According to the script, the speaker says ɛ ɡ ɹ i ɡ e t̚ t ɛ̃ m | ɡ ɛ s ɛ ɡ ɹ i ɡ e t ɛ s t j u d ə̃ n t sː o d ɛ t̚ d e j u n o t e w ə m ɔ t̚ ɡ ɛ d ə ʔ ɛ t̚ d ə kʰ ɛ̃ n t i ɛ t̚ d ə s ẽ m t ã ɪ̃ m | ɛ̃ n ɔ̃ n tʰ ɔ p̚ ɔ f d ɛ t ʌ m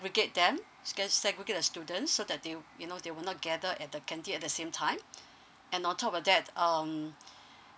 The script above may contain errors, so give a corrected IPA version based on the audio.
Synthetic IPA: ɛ ɡ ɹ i ɡ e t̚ d ɛ̃ m | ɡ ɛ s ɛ ɡ ɹ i ɡ e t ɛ s t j u d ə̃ n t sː o d ɛ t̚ d e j u n o d e w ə n ɔ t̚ ɡ ɛ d ə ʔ ɛ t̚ d ə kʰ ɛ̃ n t i ɛ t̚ d ə s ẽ m tʰ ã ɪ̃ m | ɛ̃ n ɔ̃ n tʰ ɔ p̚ ɔ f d ɛ t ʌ m